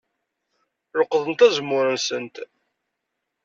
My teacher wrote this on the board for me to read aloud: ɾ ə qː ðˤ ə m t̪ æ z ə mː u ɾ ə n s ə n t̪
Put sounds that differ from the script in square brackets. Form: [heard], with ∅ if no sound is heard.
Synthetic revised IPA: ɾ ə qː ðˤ ə [n] t̪ æ z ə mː [ʊ] ɾ ə n s ə n t̪